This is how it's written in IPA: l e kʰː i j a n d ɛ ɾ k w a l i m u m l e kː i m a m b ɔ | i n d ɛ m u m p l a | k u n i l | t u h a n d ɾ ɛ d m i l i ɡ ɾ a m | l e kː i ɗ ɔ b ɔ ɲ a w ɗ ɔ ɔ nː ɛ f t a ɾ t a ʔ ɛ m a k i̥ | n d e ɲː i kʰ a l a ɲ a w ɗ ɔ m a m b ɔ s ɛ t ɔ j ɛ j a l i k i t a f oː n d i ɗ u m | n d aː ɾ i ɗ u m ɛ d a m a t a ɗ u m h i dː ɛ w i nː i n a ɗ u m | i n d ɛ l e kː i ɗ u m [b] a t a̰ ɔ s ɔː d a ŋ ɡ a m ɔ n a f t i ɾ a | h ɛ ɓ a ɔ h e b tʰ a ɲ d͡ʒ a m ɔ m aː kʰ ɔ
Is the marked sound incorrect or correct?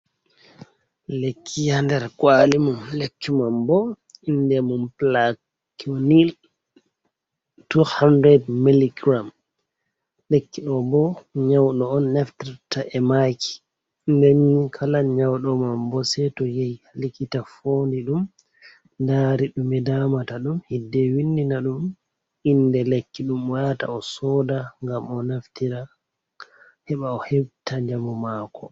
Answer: incorrect